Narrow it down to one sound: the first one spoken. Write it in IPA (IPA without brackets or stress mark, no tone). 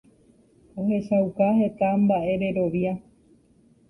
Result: o̞